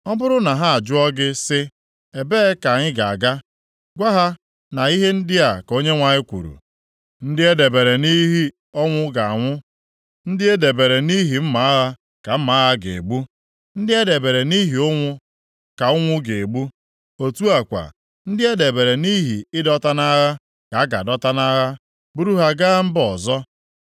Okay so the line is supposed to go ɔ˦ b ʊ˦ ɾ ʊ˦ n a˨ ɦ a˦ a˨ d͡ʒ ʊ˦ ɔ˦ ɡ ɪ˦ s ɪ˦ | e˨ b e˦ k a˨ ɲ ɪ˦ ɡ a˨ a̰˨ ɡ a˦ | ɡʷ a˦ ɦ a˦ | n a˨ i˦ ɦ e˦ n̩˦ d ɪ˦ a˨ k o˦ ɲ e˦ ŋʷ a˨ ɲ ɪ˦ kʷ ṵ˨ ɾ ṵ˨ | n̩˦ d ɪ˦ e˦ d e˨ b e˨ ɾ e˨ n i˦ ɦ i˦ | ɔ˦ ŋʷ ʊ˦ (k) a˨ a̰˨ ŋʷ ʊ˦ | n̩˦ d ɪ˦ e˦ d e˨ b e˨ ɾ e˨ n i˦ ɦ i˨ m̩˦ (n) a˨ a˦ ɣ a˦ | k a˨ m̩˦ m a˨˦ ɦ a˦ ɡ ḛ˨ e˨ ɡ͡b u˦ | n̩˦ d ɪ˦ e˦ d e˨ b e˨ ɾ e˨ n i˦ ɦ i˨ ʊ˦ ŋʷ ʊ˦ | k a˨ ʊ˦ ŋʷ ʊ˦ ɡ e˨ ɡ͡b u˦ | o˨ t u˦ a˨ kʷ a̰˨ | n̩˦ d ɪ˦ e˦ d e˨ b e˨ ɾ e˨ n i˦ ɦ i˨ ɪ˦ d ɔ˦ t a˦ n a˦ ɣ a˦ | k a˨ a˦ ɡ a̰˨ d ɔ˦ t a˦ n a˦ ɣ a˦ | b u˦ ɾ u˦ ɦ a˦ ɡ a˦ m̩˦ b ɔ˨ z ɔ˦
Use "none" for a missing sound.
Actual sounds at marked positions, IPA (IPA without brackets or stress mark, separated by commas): ɡ, m